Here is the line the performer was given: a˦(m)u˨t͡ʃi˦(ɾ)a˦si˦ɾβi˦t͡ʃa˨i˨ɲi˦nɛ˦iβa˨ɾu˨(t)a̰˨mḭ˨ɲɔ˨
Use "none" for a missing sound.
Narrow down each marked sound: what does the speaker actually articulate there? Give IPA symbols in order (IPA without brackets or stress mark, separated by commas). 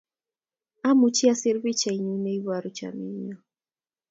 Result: m, none, t͡ʃ